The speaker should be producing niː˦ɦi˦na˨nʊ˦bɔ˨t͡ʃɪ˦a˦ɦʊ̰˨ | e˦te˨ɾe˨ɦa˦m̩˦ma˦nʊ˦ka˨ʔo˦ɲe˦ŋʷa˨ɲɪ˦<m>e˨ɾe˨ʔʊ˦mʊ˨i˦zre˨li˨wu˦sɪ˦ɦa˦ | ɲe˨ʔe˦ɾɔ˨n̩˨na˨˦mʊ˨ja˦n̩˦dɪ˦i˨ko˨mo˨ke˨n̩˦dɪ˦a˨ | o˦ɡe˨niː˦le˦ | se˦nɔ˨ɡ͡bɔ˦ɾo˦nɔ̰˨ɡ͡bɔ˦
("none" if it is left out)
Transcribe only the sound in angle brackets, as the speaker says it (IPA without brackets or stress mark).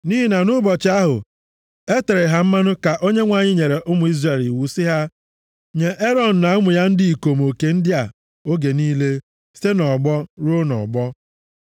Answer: ɲ